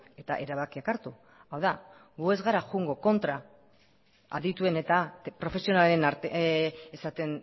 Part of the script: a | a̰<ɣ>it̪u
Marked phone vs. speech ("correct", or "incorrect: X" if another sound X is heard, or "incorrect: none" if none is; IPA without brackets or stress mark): incorrect: ð